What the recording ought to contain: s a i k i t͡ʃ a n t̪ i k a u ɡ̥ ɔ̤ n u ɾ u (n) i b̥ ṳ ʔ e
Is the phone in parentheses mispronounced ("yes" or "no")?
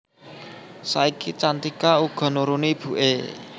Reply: no